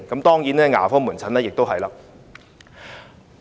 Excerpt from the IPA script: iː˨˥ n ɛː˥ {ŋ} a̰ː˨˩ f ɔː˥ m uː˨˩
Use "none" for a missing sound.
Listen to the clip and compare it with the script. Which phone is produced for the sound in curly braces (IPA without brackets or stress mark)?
ŋ